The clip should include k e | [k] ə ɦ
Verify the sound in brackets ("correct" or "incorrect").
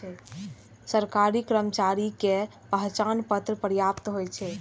incorrect